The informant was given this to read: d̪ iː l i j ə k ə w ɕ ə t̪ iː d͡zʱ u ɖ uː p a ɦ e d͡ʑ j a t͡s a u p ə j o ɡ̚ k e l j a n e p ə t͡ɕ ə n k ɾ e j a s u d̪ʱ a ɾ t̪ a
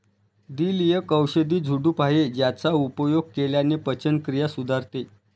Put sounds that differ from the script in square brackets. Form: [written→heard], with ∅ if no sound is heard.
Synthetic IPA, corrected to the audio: d̪ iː l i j ə k ə w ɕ ə [t̪→d̪] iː d͡zʱ u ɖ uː p a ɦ e d͡ʑ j a t͡s a u p ə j o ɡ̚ k e l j a n e p ə t͡ɕ ə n k ɾ [e→i] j a s u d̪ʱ a ɾ t̪ [a→e]